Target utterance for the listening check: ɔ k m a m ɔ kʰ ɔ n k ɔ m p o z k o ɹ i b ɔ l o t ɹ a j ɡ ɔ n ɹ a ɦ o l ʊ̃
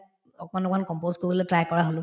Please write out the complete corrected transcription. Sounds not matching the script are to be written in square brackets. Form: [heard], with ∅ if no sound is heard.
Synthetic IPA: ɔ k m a [n] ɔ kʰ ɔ n k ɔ m p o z k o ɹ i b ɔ l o t ɹ a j [k] ɔ [∅] ɹ a ɦ o l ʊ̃